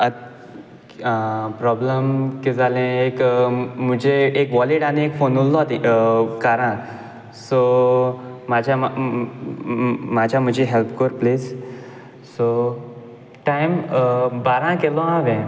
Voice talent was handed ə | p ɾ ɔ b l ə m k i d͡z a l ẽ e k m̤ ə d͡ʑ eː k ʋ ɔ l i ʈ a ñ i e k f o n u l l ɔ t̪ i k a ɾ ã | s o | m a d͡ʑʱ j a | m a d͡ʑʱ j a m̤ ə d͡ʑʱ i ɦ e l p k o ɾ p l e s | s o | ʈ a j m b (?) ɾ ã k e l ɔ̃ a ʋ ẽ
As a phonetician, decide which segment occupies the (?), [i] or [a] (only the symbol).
a